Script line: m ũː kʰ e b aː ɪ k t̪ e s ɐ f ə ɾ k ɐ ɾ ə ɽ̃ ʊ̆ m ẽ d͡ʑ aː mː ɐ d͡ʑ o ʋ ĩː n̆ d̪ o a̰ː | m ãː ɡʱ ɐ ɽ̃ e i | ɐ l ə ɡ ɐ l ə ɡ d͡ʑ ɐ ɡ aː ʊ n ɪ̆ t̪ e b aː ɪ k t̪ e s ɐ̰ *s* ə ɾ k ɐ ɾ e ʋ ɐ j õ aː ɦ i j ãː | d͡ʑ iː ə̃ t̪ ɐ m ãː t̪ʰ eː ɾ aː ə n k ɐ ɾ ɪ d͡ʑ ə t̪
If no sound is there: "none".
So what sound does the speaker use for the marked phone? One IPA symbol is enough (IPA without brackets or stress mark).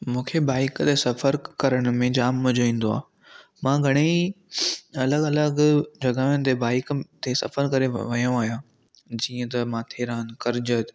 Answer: f